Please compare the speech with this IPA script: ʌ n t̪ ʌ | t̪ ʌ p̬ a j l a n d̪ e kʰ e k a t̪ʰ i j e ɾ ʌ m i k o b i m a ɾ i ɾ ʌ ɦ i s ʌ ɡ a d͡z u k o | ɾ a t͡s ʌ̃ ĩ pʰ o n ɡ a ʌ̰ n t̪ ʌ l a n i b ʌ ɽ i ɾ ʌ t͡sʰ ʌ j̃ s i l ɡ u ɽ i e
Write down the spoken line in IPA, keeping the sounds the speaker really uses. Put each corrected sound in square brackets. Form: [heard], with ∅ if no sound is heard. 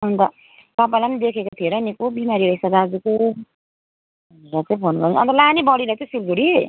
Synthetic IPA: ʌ n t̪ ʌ | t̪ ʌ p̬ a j l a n d̪ e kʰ e k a t̪ʰ i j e ɾ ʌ [n] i k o b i m a ɾ i ɾ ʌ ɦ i s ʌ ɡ a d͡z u k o | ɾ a t͡s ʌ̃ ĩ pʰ o n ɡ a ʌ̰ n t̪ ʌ l a n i b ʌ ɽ i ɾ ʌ [t͡s] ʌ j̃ s i l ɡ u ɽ i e